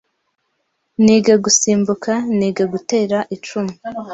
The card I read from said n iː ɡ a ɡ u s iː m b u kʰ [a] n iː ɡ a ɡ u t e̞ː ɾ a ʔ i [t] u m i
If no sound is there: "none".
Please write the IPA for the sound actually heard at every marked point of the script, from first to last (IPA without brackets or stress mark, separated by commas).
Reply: a, t͡ʃ